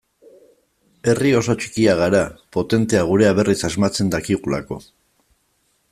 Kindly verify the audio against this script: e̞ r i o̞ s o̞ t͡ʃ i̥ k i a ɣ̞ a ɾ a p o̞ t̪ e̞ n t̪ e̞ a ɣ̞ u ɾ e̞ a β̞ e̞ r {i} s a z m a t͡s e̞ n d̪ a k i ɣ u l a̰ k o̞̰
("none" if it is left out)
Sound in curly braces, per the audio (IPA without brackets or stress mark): i